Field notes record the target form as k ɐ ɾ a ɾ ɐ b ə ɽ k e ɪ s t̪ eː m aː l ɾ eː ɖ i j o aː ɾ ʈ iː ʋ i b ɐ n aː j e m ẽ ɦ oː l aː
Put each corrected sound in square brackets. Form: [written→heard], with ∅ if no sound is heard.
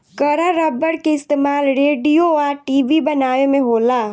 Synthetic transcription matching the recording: k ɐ ɾ a ɾ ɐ b ə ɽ k e ɪ s t̪ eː m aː l ɾ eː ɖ i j o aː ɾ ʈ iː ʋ i b ɐ n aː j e m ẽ ɦ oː l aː